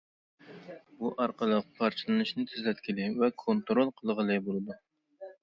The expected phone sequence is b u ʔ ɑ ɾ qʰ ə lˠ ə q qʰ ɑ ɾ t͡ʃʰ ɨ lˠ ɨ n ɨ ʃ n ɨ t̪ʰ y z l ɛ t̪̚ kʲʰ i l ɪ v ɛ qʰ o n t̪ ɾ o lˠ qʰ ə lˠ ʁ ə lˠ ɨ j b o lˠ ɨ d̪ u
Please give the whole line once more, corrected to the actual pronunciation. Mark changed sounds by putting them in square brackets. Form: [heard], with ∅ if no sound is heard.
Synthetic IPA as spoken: b u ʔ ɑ ɾ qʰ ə lˠ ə q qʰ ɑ ɾ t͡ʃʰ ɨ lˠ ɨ n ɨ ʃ n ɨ t̪ʰ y z l ɛ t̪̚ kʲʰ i l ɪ v ɛ [kʰ] o n t̪ ɾ o lˠ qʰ ə lˠ ʁ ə lˠ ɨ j b o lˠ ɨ d̪ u